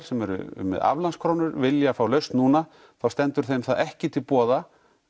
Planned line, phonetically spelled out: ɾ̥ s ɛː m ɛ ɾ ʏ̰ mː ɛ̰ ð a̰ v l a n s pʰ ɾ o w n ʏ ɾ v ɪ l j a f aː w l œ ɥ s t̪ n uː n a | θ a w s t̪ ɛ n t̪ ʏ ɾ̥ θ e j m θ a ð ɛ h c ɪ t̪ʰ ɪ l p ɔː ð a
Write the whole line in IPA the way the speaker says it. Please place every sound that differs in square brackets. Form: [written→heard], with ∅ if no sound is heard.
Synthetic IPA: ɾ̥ s [ɛː→ɛ] m ɛ ɾ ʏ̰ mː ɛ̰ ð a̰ v l a n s [pʰ→kʰ] ɾ o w n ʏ ɾ v ɪ l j a f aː w l œ ɥ s t̪ n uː n a | θ a w s t̪ ɛ n t̪ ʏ ɾ̥ θ e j m θ a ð ɛ h c ɪ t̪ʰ ɪ l p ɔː ð a